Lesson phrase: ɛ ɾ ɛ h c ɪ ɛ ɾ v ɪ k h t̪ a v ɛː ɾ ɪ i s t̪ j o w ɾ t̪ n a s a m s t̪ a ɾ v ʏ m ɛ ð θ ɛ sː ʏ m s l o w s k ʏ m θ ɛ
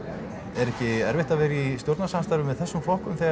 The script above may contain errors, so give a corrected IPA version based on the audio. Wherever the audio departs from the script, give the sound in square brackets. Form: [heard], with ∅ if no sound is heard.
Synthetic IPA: ɛ ɾ ɛ h c ɪ ɛ ɾ v ɪ [∅] h t̪ a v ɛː ɾ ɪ i s t̪ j o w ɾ t̪ n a s a m s t̪ a ɾ v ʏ m ɛ ð θ ɛ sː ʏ m [f] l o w [h] k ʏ m θ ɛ